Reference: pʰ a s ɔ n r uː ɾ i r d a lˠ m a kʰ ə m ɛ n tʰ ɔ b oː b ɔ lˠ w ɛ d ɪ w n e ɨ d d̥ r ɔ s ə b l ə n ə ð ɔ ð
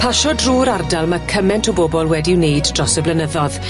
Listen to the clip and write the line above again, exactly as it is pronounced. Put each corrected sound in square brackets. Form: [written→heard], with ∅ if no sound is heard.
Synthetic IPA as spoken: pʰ a [s→ʃ] ɔ [n→d] r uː ɾ [i→a] r d a lˠ m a kʰ ə m ɛ n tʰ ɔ b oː b ɔ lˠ w ɛ d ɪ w n e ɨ d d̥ r ɔ s ə b l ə n ə ð ɔ ð